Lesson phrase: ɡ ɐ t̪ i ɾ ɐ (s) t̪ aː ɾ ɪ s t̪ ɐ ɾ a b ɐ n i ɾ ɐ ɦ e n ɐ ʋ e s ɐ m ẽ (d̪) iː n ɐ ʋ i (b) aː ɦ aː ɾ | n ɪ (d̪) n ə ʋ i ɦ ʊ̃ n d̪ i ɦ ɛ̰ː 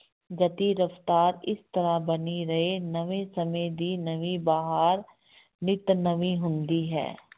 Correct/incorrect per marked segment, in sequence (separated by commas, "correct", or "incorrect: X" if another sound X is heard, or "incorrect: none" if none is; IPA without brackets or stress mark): incorrect: f, correct, correct, incorrect: t̪